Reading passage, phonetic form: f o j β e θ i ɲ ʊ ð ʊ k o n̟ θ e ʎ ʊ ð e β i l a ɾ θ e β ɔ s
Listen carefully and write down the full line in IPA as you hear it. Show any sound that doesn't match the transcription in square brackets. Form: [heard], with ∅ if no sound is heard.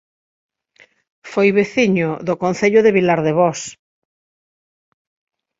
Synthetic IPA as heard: f o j β e θ i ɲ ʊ ð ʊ k o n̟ θ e ʎ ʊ ð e β i l a ɾ [ð] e β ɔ s